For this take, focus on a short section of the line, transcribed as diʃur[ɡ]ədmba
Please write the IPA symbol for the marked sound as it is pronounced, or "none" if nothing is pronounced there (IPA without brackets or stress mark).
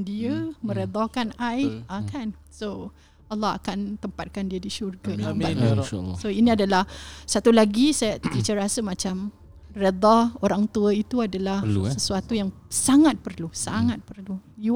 ɡ